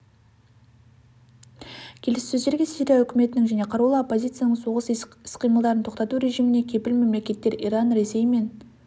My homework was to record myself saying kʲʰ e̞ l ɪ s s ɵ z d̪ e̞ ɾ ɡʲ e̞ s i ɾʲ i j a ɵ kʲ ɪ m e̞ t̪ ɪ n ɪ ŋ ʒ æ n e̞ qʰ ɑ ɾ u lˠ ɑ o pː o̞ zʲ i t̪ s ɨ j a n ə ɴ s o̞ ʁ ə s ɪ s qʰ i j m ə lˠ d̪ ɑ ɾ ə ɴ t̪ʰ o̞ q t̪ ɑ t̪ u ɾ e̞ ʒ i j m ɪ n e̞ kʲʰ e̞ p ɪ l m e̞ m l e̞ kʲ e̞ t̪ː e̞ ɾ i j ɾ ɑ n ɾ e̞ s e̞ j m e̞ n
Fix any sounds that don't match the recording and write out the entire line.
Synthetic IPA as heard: kʲʰ e̞ l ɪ s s ɵ z d̪ e̞ ɾ ɡʲ e̞ s i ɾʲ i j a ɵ kʲ ɪ m e̞ t̪ ɪ n ɪ ŋ ʒ æ n e̞ qʰ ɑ ɾ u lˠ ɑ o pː o̞ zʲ i t̪ s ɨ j a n ə ɴ s o̞ ʁ ə s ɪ s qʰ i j m ə lˠ d̪ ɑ ɾ ə n t̪ʰ o̞ q t̪ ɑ t̪ u ɾ e̞ ʒ i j m ɪ n e̞ kʲʰ e̞ p ɪ l m e̞ m l e̞ kʲ e̞ t̪ː e̞ ɾ i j ɾ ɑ n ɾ e̞ s e̞ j m e̞ n